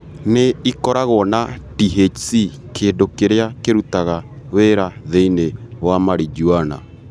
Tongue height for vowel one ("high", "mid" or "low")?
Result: mid